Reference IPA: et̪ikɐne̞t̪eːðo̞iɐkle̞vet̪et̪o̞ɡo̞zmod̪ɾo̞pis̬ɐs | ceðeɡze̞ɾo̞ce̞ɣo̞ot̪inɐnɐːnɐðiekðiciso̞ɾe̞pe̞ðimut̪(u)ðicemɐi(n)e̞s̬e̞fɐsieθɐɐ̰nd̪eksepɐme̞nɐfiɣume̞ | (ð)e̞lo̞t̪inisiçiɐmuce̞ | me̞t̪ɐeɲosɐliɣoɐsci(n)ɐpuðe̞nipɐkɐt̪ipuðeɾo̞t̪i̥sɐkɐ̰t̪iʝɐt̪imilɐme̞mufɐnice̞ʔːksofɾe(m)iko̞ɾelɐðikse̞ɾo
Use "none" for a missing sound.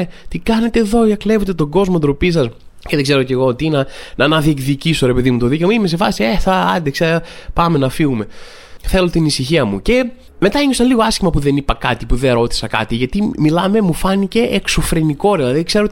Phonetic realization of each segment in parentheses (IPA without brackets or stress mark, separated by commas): o, m, θ, m, n